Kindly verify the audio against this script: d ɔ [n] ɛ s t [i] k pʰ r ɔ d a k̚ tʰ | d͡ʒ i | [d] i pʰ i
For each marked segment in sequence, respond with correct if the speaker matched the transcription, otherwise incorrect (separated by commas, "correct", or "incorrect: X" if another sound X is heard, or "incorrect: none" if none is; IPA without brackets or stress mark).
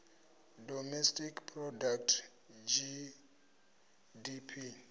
incorrect: m, correct, correct